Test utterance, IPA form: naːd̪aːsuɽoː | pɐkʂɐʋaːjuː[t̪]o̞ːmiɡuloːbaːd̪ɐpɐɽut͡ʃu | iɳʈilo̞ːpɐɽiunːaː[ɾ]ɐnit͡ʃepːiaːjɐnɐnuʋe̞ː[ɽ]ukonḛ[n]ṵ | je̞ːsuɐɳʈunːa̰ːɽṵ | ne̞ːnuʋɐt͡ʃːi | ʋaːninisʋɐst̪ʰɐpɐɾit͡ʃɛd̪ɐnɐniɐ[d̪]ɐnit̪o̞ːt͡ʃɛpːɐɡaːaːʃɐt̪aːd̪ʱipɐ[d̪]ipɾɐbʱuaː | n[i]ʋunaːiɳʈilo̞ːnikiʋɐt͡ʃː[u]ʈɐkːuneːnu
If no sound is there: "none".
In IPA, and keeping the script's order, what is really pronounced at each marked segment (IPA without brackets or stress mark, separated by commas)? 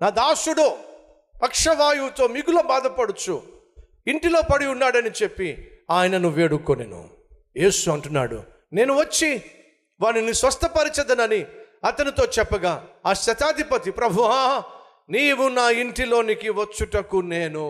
t̪, ɽ, ɽ, n, t̪, t̪, iː, u